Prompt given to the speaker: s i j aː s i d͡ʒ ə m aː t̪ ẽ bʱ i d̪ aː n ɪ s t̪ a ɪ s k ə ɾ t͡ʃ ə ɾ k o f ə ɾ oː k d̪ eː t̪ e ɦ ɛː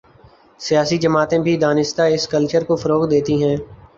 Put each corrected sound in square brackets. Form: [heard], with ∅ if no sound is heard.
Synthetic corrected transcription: s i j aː s i d͡ʒ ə m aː t̪ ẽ bʱ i d̪ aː n ɪ s t̪ a ɪ s k ə [l] t͡ʃ ə ɾ k o f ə ɾ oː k d̪ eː t̪ [i] ɦ [ɛ̃ː]